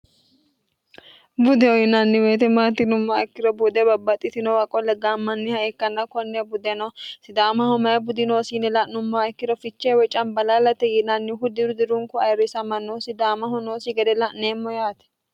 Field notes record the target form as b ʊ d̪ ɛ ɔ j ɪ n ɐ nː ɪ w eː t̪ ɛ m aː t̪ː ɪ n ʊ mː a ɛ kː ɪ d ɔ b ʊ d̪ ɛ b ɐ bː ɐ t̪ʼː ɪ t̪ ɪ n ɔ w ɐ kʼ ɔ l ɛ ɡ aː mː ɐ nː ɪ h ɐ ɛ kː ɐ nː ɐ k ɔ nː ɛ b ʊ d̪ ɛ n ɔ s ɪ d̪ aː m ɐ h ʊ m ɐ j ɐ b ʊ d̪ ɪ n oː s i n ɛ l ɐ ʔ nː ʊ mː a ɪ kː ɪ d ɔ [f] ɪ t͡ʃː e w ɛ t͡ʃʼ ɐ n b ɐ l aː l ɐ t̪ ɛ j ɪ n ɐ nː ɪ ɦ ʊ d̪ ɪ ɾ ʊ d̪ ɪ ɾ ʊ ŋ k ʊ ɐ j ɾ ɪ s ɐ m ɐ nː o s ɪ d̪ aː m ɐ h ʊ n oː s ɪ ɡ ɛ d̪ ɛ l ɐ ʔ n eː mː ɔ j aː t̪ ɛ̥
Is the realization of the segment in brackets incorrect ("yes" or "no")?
no